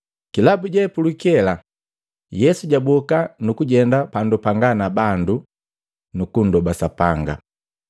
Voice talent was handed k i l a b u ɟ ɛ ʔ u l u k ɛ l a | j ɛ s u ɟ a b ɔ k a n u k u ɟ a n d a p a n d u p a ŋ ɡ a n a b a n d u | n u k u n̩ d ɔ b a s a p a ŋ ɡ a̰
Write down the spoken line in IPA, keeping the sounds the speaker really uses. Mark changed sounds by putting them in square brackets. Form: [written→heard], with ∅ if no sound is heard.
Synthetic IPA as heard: k i l a b u ɟ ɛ [ʔ→p] u l u k ɛ l a | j ɛ s u ɟ a b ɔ k a n u k u ɟ [a→ɛ] n d a p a n d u p a ŋ ɡ a n a b a n d u | n u k u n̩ d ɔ b a s a p a ŋ ɡ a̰